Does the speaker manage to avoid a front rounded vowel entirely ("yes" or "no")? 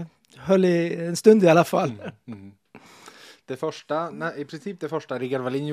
no